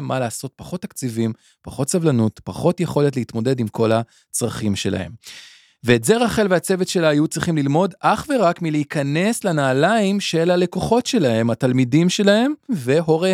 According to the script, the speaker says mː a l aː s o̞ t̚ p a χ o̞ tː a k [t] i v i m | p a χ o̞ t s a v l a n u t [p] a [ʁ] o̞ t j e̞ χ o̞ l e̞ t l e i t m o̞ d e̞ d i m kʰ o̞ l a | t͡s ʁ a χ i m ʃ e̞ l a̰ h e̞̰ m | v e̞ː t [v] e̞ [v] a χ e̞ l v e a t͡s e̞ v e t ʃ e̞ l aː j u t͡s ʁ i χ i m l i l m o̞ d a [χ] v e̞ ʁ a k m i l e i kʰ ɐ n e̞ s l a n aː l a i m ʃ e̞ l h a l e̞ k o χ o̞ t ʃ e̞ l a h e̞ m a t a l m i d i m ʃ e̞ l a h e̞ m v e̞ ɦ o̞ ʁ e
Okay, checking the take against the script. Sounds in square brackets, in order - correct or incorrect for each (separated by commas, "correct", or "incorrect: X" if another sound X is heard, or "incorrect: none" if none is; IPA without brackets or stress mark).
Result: incorrect: t͡s, correct, incorrect: χ, incorrect: z, incorrect: ʁ, correct